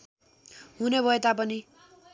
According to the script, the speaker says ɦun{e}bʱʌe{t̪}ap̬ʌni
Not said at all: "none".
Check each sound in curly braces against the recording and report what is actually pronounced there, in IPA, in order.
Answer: e, t̪

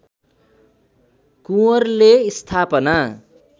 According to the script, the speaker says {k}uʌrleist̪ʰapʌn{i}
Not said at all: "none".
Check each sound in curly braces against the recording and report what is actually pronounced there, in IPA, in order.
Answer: k, a

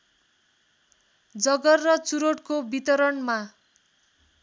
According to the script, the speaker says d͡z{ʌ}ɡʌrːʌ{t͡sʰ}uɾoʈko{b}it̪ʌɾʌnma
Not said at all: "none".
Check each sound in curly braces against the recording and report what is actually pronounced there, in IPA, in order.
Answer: ʌ, t͡s, b

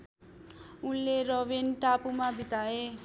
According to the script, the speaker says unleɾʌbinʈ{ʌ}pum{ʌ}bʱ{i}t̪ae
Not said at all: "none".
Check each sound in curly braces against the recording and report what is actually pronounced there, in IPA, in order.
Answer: a, a, i

